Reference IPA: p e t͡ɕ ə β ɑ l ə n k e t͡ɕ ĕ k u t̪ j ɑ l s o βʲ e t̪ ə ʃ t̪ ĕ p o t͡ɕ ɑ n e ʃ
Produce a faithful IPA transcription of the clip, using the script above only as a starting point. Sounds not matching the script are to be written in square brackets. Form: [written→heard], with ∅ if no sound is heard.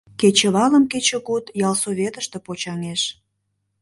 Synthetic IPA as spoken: [p→k] e t͡ɕ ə β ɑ l ə [n→m] k e t͡ɕ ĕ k u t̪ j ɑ l s o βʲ e t̪ ə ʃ t̪ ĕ p o t͡ɕ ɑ [n→ŋ] e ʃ